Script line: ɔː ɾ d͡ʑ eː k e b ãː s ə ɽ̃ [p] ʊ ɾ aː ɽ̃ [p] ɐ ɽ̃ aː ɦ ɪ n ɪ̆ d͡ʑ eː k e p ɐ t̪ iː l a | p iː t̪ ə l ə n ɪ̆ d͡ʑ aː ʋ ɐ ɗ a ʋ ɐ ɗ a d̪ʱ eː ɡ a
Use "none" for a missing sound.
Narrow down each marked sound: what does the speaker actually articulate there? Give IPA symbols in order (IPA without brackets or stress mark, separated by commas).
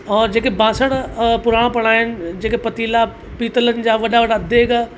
p, p